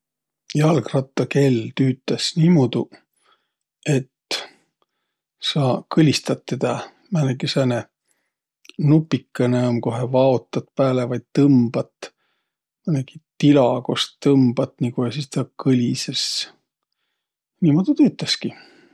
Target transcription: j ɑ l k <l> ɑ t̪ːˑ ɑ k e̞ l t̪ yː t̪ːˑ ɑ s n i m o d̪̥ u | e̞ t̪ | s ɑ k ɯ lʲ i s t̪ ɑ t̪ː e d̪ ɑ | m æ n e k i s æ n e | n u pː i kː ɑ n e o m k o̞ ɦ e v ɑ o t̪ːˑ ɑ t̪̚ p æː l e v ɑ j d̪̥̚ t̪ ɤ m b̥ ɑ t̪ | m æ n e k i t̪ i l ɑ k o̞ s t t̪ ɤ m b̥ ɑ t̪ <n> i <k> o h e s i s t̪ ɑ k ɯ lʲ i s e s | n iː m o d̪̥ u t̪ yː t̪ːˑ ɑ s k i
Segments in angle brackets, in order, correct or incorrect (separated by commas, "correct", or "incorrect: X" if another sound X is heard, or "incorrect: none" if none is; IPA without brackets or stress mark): incorrect: r, correct, correct